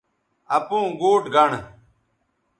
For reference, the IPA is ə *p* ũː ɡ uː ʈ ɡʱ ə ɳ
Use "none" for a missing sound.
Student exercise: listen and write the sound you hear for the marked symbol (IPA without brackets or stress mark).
p